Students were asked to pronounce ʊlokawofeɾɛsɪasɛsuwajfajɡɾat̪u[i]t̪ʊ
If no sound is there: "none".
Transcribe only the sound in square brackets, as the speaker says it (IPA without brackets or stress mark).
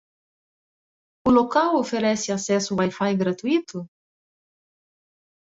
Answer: i